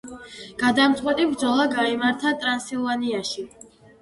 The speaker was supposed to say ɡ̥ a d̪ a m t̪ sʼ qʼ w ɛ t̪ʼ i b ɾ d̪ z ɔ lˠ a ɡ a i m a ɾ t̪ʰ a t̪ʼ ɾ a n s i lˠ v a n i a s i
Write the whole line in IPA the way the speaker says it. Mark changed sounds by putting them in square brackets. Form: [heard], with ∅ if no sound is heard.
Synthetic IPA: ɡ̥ a d̪ a m t̪ sʼ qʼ w ɛ t̪ʼ i b ɾ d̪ z ɔ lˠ a ɡ a i m a ɾ t̪ʰ a t̪ʼ ɾ a n s i lˠ v a n i a [ʃ] i